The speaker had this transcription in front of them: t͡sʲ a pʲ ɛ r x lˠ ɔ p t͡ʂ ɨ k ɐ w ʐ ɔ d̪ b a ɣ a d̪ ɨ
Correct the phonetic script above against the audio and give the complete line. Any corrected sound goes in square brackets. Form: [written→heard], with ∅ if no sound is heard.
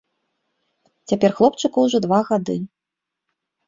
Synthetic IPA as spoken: t͡sʲ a pʲ ɛ r x lˠ ɔ p t͡ʂ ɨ k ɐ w ʐ ɔ d̪ [b→v] a ɣ a d̪ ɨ